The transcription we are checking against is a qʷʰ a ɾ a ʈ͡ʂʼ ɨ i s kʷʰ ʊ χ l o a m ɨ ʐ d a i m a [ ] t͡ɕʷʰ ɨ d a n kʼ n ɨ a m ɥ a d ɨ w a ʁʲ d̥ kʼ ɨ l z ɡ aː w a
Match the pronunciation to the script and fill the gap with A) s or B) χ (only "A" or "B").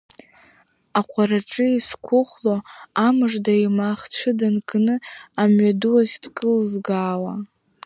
B